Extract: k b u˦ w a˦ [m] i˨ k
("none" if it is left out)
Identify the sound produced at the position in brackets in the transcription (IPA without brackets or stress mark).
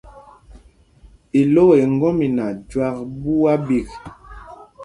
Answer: b